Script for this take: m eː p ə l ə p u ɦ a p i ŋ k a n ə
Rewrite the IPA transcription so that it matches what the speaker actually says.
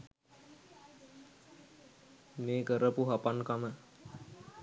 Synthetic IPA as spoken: m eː k ə ɾ ə p u ɦ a p a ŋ k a m ə